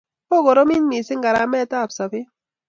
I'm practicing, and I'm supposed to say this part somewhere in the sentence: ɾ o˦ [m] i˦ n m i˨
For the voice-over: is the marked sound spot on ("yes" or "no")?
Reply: yes